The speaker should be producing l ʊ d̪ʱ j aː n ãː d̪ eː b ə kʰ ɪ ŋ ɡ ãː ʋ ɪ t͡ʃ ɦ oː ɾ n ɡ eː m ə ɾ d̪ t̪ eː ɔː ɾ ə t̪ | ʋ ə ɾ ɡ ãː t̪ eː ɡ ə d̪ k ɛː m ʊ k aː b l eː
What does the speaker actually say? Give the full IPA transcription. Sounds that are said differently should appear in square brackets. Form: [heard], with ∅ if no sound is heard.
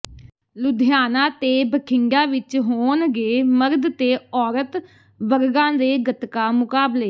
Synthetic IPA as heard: l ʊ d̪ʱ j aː n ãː [t̪] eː b ə kʰ ɪ ŋ ɡ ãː ʋ ɪ t͡ʃ ɦ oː [∅] n ɡ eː m ə ɾ d̪ t̪ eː ɔː ɾ ə t̪ | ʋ ə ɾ ɡ ãː [d̪] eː ɡ ə [t̪] k [aː] m ʊ k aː b l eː